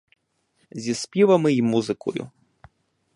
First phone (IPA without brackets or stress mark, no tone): zʲ